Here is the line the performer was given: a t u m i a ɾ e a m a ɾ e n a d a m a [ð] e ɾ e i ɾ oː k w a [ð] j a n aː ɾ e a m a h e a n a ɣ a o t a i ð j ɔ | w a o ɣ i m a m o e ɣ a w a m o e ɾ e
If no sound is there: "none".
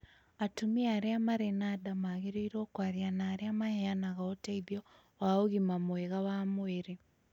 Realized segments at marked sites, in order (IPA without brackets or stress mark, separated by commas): ɣ, ð